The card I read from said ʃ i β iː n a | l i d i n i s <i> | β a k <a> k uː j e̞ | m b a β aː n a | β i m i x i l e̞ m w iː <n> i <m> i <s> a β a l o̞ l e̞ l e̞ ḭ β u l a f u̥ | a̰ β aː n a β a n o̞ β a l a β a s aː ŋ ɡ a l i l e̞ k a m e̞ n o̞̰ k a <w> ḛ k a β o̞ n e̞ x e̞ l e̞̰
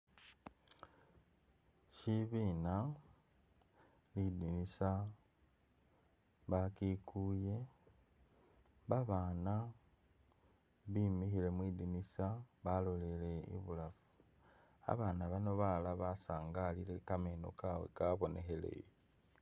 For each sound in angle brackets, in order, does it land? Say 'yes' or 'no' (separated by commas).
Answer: no, no, no, no, yes, yes